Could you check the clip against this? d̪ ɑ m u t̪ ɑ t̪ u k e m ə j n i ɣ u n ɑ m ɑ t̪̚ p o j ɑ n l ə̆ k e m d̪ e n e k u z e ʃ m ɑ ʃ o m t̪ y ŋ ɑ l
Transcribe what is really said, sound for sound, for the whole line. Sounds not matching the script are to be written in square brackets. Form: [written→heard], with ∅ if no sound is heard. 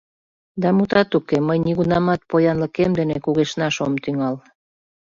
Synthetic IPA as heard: d̪ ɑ m u t̪ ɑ t̪ u k e m ə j n i ɣ u n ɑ m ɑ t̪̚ p o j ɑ n l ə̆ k e m d̪ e n e k u [z→ɣ] e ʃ [m→n] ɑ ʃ o m t̪ y ŋ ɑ l